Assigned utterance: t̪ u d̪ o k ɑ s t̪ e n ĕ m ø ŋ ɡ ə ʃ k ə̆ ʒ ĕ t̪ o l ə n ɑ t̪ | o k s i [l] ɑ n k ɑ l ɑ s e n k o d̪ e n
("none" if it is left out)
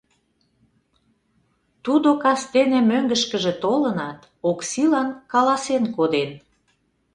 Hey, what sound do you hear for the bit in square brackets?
l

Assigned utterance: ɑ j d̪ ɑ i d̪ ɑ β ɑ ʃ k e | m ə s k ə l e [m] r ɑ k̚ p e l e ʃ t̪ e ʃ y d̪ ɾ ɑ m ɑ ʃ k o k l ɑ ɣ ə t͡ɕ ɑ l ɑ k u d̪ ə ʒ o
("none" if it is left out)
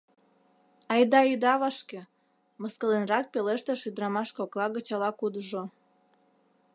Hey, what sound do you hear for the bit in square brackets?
n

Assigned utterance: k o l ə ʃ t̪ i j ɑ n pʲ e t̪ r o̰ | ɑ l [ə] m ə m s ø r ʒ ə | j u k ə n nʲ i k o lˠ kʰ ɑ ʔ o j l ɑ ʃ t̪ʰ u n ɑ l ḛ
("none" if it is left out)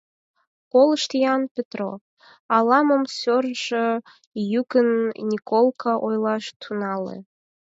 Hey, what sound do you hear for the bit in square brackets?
ɑ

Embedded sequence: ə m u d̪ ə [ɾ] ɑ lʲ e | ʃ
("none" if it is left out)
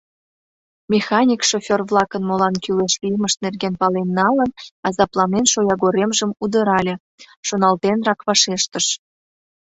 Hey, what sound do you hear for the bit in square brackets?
ɾ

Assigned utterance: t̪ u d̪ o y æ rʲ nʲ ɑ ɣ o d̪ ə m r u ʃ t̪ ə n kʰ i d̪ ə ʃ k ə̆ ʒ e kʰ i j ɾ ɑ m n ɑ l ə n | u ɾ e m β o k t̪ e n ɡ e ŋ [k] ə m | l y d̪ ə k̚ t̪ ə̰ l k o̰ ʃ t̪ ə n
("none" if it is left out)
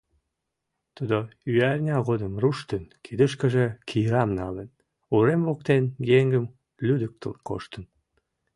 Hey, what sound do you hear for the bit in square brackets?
ɡ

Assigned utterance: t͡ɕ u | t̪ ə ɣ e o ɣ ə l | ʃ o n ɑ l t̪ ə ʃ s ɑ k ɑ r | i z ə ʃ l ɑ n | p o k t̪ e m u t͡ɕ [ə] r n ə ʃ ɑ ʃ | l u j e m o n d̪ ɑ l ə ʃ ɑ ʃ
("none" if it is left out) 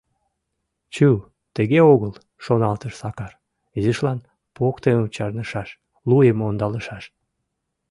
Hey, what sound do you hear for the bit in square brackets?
ɑ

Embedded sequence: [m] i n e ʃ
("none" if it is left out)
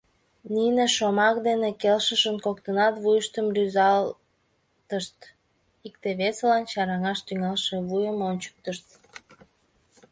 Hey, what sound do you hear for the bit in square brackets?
n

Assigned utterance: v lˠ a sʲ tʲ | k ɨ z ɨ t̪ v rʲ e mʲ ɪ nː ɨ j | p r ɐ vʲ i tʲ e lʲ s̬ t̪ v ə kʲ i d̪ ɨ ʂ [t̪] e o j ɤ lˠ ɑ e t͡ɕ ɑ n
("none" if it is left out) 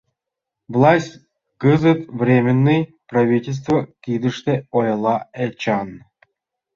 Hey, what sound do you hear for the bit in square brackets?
t̪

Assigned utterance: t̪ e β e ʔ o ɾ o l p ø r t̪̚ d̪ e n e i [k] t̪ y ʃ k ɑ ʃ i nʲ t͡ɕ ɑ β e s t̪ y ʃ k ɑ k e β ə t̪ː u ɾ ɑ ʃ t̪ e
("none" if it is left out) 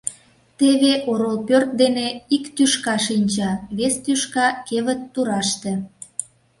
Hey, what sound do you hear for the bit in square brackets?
k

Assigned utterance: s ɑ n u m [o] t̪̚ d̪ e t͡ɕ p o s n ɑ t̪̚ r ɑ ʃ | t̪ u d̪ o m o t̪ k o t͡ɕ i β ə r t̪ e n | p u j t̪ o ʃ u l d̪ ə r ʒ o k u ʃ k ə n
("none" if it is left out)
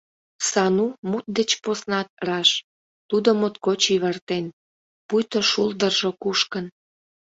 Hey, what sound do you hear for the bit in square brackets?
u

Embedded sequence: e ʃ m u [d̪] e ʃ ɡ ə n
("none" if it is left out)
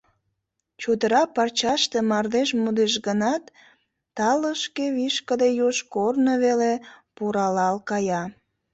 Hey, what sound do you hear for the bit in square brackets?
d̪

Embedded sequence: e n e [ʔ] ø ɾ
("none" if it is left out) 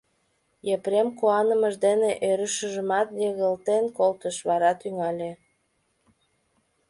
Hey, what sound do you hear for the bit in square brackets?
ʔ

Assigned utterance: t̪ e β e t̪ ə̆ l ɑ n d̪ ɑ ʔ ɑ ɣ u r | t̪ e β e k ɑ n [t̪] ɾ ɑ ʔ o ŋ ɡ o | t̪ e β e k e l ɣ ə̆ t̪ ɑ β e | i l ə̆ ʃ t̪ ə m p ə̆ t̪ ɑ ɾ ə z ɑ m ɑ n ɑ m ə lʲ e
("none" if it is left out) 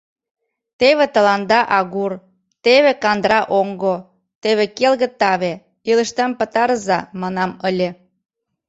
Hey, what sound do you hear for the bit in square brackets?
d̪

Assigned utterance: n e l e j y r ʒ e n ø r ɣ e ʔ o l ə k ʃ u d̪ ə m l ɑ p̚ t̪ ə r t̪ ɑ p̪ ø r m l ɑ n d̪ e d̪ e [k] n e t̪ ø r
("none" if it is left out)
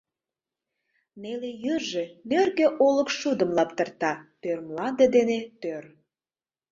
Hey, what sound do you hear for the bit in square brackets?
none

